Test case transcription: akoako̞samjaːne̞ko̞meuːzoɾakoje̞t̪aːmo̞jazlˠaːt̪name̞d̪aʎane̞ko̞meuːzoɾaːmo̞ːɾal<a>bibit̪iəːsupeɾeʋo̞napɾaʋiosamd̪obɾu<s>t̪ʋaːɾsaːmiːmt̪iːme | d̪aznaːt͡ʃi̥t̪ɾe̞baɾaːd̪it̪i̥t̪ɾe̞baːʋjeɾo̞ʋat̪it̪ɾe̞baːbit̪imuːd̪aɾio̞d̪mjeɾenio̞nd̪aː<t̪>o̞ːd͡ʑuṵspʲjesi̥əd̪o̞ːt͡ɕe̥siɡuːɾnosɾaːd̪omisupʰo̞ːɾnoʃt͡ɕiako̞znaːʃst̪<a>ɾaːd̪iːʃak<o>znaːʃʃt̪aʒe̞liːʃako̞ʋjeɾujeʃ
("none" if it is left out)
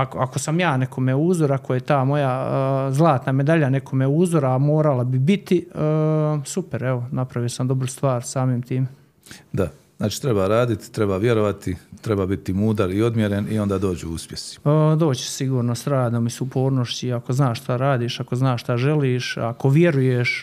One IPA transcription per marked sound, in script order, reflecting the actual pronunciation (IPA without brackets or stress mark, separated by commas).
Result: a, s, d̪, a, o